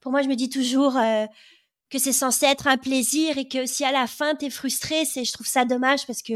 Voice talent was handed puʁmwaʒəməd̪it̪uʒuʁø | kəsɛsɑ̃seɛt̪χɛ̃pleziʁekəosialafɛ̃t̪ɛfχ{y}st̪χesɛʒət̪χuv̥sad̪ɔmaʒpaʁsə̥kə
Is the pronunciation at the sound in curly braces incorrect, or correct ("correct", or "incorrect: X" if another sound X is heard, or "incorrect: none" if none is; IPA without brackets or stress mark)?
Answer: correct